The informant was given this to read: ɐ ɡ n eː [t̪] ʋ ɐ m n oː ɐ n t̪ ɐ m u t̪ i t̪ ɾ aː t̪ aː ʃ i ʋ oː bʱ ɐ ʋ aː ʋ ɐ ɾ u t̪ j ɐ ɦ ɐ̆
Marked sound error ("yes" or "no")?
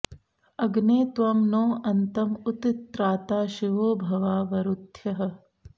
no